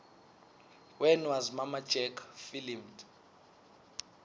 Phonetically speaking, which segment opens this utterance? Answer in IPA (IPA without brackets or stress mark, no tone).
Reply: w